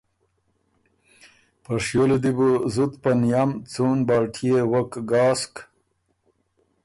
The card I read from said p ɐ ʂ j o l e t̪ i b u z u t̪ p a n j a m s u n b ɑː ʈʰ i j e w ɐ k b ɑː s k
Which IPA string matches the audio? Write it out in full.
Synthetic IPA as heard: p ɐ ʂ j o l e d̪ i b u z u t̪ p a n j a m t͡s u n b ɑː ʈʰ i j e w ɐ k ɡ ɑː s k